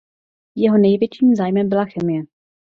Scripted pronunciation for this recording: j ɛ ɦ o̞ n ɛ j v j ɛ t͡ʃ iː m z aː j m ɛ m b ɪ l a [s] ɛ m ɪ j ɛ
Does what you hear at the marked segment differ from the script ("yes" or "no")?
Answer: yes